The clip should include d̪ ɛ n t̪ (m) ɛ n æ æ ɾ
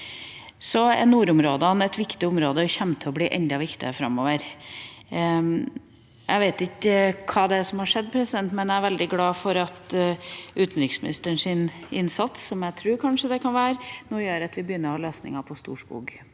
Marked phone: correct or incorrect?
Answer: correct